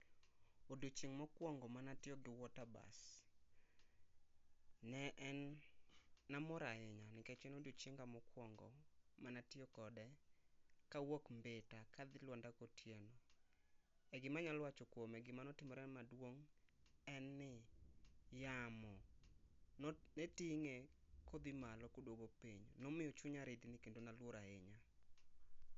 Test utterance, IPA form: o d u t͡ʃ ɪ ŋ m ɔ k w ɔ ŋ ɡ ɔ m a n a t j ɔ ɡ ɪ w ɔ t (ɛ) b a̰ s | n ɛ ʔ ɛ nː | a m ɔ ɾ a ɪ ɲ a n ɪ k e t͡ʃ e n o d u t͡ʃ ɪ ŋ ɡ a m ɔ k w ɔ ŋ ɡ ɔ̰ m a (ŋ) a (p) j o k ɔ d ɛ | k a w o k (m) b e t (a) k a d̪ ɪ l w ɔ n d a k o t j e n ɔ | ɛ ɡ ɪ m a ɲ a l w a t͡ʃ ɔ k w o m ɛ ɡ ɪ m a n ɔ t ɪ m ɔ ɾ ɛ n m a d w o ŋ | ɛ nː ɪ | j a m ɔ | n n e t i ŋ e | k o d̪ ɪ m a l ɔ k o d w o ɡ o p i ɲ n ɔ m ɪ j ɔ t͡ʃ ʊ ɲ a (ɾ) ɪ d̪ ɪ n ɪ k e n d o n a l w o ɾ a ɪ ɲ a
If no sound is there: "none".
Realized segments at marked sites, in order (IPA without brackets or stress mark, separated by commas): a, n, t, m, a, ɾ